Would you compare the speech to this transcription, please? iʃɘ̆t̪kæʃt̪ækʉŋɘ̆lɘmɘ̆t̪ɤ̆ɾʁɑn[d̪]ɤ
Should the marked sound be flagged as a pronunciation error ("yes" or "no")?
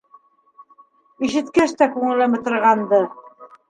no